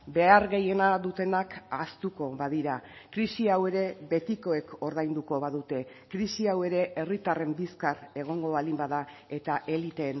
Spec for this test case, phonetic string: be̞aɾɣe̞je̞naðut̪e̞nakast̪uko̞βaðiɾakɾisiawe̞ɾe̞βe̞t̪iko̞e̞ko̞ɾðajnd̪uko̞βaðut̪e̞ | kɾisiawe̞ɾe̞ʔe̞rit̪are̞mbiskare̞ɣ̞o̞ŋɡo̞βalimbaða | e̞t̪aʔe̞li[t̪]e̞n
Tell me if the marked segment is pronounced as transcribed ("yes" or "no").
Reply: yes